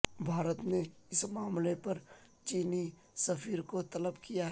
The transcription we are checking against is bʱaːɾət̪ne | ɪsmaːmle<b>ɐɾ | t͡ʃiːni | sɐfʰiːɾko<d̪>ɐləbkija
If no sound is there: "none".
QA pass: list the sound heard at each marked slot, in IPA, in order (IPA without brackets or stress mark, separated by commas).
p, t̪